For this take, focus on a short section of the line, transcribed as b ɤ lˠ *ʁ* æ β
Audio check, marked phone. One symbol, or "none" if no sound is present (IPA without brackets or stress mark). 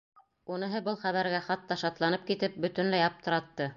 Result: χ